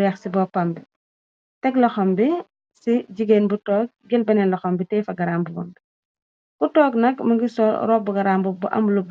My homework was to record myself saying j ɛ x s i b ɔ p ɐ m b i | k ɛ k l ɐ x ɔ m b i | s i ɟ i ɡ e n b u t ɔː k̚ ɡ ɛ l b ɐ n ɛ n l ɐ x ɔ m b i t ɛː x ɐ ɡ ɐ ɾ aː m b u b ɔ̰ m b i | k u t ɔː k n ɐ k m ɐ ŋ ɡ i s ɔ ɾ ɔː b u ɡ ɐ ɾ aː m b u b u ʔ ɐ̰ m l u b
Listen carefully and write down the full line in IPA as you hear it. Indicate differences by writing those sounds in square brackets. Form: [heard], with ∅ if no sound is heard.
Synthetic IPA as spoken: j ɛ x s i b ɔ p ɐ m b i | [t] ɛ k l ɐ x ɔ m b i | s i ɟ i ɡ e n b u t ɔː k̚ ɡ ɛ l b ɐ n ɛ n l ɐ x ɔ m b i t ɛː [f] ɐ ɡ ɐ ɾ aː m b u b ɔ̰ m b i | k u t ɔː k n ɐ k m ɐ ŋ ɡ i s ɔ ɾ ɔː b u ɡ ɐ ɾ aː m b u b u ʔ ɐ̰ m l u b